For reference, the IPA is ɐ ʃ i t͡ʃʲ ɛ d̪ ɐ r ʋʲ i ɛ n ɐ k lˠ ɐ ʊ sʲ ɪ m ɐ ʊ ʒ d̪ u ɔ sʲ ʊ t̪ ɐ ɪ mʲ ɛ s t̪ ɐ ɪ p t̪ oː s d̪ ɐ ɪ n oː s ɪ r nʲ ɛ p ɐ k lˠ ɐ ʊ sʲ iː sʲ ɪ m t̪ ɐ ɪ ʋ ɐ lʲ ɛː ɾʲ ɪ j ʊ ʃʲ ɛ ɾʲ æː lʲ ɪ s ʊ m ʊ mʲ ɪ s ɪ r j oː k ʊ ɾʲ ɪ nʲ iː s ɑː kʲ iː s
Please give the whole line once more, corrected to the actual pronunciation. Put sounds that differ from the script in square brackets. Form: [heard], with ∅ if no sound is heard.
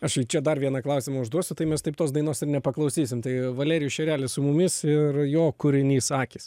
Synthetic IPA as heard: ɐ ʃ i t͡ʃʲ ɛ d̪ ɐ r ʋʲ i ɛ n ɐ k lˠ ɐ ʊ sʲ ɪ m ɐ ʊ ʒ d̪ u ɔ sʲ ʊ t̪ ɐ ɪ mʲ ɛ s t̪ ɐ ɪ p t̪ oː s d̪ ɐ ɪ n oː s ɪ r nʲ ɛ p ɐ k lˠ ɐ ʊ sʲ iː sʲ ɪ m t̪ ɐ ɪ ʋ ɐ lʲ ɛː ɾʲ ɪ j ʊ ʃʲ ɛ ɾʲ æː lʲ ɪ s ʊ m ʊ mʲ ɪ s ɪ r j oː k ʊ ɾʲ ɪ nʲ iː s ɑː kʲ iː s